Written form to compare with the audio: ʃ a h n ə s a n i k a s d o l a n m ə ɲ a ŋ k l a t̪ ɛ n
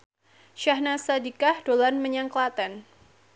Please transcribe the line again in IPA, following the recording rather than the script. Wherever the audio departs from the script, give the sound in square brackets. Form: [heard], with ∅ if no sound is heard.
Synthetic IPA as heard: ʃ a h n [a] s a [d] i k a [h] d o l a n m ə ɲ a ŋ k l a t̪ ɛ n